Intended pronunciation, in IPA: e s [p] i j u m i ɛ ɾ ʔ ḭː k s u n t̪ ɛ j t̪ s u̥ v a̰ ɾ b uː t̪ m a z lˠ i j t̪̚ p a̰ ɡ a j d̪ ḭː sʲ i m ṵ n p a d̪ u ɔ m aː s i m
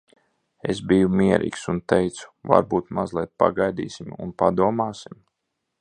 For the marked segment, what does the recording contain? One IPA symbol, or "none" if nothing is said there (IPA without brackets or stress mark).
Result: b